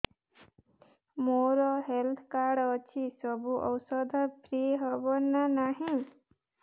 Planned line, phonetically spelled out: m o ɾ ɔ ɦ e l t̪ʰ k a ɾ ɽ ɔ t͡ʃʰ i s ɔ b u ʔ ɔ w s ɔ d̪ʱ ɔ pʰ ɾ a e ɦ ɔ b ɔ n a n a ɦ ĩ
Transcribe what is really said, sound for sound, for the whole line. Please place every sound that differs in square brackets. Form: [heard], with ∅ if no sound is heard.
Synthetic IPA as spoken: m o ɾ ɔ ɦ e l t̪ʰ k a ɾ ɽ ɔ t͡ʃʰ i s ɔ b u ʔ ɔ w s ɔ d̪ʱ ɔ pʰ ɾ [i] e ɦ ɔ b ɔ n a n a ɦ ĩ